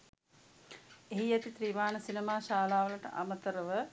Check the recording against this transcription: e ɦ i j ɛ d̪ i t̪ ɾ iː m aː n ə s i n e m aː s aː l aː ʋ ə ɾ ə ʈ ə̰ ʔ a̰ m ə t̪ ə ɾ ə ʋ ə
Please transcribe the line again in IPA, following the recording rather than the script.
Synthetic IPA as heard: e ɦ i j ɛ t̪ i t̪ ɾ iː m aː n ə s i n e m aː ʃ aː l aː ʋ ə l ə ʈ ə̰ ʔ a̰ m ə t̪ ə ɾ ə ʋ ə